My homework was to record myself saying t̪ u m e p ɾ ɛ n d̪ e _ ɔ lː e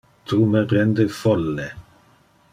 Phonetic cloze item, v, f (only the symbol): f